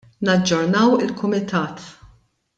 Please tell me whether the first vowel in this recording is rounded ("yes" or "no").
no